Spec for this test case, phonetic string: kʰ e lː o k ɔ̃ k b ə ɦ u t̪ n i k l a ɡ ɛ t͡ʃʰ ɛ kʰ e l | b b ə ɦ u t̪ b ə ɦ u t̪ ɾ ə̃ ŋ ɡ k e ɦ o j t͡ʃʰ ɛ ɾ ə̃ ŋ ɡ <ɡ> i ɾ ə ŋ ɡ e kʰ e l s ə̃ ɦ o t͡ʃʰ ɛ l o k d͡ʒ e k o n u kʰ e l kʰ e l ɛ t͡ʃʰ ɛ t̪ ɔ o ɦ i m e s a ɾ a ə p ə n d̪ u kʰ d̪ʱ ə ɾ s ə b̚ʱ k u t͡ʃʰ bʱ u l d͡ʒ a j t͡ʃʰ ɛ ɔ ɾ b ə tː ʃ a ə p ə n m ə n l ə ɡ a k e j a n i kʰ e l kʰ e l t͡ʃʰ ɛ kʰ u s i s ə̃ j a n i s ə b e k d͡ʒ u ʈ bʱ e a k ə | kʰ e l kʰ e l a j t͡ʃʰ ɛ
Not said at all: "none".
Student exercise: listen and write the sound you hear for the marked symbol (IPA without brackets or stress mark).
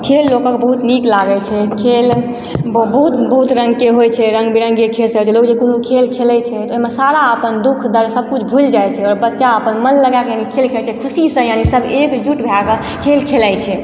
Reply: b